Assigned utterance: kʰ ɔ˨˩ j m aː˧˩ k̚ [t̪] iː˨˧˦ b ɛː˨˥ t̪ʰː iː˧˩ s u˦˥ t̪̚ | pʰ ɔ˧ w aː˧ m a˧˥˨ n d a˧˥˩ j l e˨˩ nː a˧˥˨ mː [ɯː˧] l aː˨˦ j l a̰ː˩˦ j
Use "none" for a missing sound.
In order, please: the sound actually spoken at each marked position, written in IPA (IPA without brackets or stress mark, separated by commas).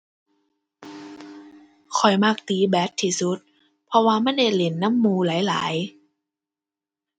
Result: t̪, uː˧